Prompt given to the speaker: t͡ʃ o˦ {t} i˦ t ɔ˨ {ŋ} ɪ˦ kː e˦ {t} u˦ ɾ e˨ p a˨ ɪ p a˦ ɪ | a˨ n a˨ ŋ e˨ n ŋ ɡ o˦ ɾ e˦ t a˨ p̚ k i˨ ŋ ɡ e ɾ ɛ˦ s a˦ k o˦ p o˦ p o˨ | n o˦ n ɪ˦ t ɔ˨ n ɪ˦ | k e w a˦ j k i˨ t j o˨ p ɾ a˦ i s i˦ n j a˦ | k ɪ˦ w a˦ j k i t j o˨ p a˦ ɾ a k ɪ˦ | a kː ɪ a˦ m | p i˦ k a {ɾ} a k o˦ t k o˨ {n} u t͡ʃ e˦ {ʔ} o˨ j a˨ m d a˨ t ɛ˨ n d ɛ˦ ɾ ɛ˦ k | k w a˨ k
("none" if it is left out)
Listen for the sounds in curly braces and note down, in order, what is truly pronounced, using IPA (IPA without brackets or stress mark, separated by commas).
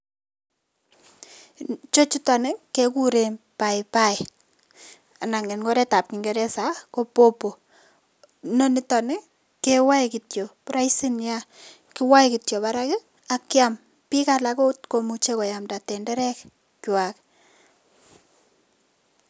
t͡ʃ, n, k, l, m, k